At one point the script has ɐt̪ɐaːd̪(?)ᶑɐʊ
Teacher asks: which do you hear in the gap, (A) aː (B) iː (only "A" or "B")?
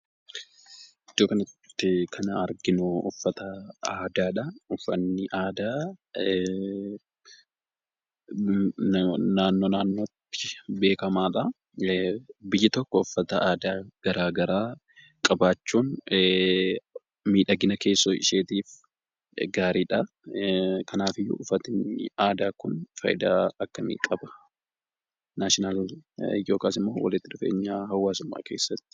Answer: A